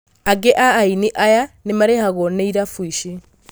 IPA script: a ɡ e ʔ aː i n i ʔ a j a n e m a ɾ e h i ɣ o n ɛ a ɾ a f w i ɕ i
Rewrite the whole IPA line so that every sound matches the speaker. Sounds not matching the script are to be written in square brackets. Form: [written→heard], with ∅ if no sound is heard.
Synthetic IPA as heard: a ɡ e ʔ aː i n i ʔ a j a n e m a ɾ e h [i→a] ɣ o n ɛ [a→i] ɾ a f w i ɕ i

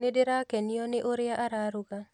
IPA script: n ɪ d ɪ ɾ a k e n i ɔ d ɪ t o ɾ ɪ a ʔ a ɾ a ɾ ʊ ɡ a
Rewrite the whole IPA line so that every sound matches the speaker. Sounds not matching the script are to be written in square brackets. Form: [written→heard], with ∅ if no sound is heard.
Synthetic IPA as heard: n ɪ d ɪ ɾ a k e n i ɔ [d→n] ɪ [t→ʔ] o ɾ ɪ a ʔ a ɾ a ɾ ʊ ɡ a

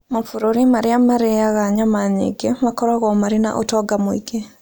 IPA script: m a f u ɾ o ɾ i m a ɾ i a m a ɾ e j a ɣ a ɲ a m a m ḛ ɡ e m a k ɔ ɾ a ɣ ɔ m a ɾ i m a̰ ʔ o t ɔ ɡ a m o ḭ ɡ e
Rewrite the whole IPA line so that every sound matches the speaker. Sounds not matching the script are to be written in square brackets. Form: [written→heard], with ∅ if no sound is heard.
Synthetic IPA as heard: m a f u ɾ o ɾ i m a ɾ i a m a ɾ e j a ɣ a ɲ a m a [m→ɲ] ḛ ɡ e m a k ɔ ɾ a ɣ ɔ m a ɾ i [m→n] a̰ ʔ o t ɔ ɡ a m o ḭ ɡ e

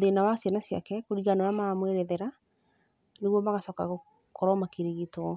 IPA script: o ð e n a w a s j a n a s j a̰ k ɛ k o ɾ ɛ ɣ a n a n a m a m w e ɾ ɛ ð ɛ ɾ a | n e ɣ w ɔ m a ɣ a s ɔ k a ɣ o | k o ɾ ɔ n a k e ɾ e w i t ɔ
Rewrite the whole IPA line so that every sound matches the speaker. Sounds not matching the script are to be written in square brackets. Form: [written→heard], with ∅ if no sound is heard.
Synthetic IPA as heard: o ð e n a w a s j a n a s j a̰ k ɛ k o ɾ [ɛ→i] ɣ a n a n a m a m w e ɾ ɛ ð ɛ ɾ a | n e ɣ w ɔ m a ɣ a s ɔ k a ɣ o | k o ɾ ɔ [n→m] a k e ɾ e [w→ɣ] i t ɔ

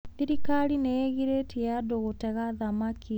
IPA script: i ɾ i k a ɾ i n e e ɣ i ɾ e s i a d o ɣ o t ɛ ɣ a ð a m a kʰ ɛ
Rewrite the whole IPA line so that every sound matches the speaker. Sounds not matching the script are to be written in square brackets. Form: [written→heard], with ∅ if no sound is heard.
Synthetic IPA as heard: i ɾ i k a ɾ i n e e ɣ i ɾ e [s→t] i a d o ɣ o t ɛ ɣ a ð a m a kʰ [ɛ→i]

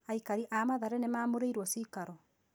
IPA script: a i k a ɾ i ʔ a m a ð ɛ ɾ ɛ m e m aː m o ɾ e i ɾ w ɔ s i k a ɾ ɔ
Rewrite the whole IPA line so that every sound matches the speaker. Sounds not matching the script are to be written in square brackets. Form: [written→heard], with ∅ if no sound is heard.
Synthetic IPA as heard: a i k a ɾ i ʔ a m a ð [ɛ→a] ɾ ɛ [m→n] e m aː m o ɾ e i ɾ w ɔ s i k a ɾ ɔ

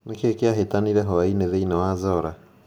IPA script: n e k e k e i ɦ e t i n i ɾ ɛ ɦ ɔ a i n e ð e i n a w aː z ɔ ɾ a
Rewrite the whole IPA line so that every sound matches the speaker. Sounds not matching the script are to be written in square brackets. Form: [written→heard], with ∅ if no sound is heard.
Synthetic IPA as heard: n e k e k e [i→a] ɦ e t [i→a] n i ɾ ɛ ɦ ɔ a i n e ð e i n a w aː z ɔ ɾ a

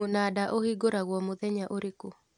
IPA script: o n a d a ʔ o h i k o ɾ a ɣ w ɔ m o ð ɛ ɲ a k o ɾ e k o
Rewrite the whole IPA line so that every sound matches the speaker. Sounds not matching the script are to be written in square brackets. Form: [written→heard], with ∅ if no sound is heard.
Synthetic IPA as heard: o n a d a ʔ o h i [k→ɡ] o ɾ a ɣ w ɔ m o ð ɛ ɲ a [k→ʔ] o ɾ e k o

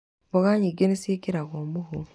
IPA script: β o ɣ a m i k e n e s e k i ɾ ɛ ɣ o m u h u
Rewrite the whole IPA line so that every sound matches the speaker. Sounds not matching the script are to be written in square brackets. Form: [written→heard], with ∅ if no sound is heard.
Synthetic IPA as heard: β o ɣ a [m→ɲ] i [k→ɡ] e n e s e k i ɾ [ɛ→a] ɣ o m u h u

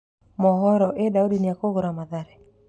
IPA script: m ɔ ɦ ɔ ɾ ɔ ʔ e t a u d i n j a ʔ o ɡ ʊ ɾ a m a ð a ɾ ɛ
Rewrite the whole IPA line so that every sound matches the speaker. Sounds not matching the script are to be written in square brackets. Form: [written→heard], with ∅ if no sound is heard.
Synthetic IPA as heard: m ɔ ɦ ɔ ɾ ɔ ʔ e [t→d] a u d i n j a [ʔ→k] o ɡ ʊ ɾ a m a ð a ɾ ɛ

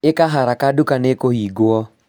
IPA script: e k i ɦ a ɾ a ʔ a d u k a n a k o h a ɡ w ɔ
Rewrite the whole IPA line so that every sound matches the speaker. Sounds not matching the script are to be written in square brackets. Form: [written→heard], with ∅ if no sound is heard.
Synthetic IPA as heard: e k [i→a] ɦ a ɾ a [ʔ→k] a d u k a n [a→e] k o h [a→i] ɡ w ɔ

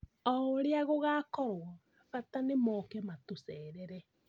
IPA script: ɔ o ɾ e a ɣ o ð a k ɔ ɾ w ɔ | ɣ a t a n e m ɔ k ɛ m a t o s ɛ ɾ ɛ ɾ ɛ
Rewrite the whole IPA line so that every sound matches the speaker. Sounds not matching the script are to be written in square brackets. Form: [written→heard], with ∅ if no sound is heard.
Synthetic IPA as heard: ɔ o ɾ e a ɣ o [ð→ɣ] a k ɔ ɾ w ɔ | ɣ a t a n e m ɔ k ɛ m a t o s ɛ ɾ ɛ ɾ ɛ

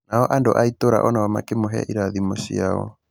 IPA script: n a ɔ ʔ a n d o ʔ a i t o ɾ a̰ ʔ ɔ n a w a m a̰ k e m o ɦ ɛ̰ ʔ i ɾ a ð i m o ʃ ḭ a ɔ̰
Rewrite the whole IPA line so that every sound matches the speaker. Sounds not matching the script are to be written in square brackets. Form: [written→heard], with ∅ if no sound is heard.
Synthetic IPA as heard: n a ɔ ʔ a n d o ʔ a i t o ɾ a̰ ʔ ɔ n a w a m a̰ k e m o ɦ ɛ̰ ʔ i ɾ a ð i m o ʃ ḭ a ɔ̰

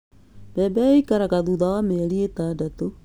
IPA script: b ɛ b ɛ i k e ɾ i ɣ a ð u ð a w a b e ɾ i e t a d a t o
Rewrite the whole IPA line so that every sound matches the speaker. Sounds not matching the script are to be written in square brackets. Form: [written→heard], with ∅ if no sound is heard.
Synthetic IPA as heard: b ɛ b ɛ i k [e→a] ɾ [i→a] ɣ a ð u ð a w a [b→m] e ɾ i e t a d a t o

